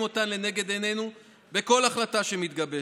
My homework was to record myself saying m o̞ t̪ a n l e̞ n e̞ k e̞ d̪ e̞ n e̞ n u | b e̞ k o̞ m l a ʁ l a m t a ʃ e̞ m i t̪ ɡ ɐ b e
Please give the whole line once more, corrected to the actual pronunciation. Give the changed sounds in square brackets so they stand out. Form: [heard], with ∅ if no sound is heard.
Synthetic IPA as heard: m o̞ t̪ a n l e̞ n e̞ [ɡ] e̞ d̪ e̞ n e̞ n u | b e̞ k o̞ [∅] l a [χ] l a [∅] t a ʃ e̞ m i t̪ ɡ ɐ b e